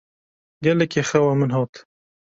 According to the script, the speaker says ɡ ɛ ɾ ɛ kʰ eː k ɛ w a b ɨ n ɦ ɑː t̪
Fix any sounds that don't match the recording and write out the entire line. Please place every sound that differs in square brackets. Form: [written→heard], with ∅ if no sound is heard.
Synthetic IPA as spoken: ɡ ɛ [ɾ→l] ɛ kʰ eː [k→x] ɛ w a [b→m] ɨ n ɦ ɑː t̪